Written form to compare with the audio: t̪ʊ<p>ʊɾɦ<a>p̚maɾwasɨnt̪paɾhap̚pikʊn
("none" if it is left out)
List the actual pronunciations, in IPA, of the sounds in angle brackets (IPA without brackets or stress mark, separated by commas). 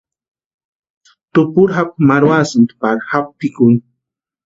p, a